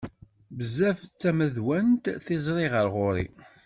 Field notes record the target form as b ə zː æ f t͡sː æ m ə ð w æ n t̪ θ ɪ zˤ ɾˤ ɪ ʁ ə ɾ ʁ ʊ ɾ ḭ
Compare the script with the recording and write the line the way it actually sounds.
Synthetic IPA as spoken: b ə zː æ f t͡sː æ m ə ð w æ n t̪ θ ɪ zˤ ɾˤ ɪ ʁ ə ɾ ʁ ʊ ɾ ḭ

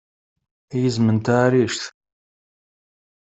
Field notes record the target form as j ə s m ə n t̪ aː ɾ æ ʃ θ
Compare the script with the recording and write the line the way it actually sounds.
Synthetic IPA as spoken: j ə z m ə n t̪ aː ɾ i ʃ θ

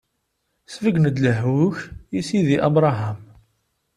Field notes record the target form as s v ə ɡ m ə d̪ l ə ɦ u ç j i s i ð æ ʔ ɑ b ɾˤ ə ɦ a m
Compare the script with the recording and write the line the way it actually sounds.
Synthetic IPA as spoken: s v ə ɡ n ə d̪ l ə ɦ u ç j i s i ð i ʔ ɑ b ɾˤ ɑ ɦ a m

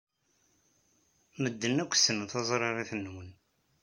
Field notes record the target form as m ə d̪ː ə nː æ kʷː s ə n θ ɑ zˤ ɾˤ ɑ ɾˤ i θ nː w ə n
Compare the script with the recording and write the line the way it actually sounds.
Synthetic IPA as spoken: m ə d̪ː ə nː æ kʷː s ə n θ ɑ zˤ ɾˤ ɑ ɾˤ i θ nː w ə n

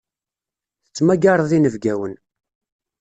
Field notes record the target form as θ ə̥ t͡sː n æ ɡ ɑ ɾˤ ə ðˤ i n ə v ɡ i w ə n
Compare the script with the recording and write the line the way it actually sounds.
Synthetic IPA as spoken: θ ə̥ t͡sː m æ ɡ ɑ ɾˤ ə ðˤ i n ə v ɡ æ w ə n

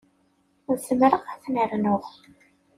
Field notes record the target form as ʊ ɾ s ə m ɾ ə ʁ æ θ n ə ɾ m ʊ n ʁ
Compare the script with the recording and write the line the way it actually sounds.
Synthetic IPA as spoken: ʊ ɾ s ə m ɾ ə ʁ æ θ n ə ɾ n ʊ ʁ

